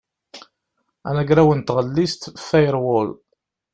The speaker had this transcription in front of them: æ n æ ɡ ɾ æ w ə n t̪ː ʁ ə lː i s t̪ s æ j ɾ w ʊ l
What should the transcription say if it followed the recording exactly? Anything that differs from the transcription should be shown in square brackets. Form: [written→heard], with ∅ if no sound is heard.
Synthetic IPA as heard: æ n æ ɡ ɾ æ w ə n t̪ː ʁ ə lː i s t̪ [s→f] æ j ɾ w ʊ l